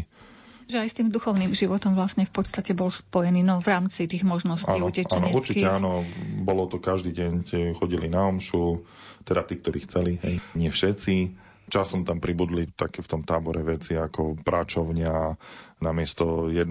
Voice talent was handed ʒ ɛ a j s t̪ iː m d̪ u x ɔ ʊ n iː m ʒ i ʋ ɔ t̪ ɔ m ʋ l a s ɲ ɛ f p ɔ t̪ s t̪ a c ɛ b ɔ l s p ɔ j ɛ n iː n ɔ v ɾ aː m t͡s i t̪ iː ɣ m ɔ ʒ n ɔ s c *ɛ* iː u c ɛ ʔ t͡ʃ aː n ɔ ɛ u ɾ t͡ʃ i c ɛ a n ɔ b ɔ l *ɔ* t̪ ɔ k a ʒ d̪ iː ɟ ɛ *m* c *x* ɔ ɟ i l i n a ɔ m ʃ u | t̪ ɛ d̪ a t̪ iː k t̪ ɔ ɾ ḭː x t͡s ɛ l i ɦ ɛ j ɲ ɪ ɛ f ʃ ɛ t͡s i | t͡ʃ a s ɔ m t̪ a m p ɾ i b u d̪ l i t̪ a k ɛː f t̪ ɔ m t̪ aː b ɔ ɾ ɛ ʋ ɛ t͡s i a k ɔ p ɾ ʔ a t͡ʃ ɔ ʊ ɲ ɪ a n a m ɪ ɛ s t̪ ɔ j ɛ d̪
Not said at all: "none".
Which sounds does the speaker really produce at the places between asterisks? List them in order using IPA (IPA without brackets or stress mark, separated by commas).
a, ɔ, ɲ, x